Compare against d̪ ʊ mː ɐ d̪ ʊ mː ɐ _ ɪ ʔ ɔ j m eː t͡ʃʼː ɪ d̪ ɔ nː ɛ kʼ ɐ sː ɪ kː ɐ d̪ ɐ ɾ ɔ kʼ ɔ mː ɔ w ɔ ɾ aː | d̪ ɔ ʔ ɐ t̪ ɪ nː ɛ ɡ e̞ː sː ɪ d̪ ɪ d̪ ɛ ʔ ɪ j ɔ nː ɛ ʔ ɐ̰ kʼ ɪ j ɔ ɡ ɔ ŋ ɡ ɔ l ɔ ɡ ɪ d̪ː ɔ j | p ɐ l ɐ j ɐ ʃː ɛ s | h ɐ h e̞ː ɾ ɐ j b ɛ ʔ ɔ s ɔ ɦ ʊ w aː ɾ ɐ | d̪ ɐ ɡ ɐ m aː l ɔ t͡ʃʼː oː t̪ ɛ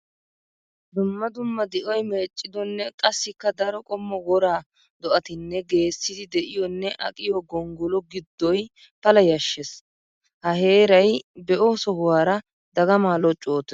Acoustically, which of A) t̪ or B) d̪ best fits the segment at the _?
B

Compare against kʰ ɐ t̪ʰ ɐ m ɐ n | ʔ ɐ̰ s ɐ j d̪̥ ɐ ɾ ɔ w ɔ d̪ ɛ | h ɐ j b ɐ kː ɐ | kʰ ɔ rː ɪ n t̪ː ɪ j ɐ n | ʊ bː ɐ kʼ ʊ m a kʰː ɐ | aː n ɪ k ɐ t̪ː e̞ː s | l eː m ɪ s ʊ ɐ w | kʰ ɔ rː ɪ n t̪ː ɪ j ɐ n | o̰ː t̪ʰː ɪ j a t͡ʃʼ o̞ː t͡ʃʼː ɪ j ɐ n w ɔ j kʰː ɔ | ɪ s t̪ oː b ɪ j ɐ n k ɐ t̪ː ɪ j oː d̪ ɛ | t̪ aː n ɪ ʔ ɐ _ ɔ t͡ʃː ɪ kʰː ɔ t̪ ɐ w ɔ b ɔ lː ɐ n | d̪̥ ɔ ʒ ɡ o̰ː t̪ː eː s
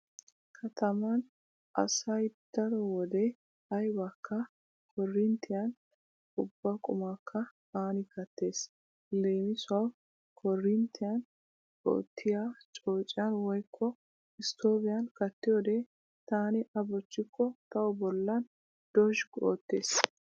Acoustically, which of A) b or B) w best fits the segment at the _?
A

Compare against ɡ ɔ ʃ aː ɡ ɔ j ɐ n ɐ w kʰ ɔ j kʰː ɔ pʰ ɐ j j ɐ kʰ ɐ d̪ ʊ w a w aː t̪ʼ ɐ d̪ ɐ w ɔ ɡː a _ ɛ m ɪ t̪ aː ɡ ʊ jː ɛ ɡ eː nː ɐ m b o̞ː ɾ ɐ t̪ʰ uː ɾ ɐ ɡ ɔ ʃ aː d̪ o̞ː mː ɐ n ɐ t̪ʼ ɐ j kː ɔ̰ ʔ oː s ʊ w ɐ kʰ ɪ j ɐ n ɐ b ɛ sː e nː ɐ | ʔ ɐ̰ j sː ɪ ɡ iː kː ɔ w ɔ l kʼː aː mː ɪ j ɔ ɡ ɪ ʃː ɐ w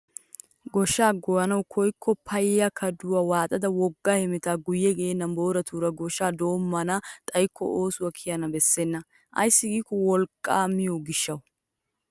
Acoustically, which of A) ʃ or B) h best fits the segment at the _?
B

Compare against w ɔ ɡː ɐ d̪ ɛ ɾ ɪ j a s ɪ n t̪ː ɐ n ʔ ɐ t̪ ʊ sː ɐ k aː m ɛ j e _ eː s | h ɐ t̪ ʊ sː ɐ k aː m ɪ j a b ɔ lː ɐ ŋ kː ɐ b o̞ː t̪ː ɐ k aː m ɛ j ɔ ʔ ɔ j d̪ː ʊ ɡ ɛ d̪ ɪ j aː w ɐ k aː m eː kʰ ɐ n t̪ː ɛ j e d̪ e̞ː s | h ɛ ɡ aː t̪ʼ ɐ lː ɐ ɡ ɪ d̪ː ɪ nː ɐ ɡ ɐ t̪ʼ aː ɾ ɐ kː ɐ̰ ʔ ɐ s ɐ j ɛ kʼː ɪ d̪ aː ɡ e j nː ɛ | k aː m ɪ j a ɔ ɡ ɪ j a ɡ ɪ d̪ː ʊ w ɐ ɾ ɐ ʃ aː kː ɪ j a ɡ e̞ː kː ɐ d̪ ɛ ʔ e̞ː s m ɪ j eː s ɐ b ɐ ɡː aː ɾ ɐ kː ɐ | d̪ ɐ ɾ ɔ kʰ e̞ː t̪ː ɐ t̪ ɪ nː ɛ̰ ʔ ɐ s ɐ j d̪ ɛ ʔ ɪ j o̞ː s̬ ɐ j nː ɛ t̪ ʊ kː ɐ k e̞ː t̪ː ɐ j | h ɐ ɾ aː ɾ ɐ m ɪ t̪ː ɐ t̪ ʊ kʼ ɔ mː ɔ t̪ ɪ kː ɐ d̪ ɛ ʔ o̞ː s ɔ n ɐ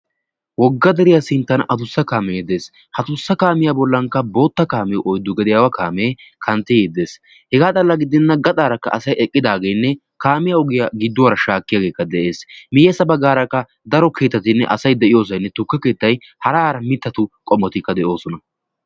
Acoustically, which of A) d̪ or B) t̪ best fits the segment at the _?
A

